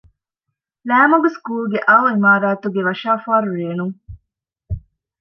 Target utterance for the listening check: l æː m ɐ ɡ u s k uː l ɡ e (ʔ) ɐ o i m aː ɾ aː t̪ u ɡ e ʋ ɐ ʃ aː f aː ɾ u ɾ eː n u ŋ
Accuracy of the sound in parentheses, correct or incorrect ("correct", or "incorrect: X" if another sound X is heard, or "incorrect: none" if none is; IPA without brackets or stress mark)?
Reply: correct